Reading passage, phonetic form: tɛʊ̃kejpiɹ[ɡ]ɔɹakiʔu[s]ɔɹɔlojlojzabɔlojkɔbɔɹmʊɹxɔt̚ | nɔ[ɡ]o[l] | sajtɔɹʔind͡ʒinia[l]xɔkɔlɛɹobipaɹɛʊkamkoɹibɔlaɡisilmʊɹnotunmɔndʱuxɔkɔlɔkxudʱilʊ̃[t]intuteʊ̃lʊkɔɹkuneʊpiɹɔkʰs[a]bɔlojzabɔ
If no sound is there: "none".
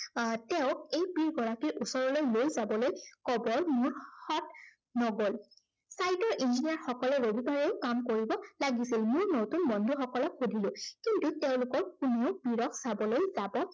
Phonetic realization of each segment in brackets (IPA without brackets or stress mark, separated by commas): ɡ, s, ɡ, l, ɹ, k, a